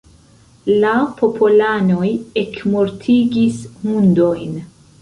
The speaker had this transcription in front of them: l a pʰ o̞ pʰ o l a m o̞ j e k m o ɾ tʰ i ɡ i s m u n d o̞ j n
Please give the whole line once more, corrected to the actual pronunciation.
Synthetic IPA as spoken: l a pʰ o̞ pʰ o l a n o̞ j e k m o ɾ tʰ i ɡ i s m u n d o̞ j n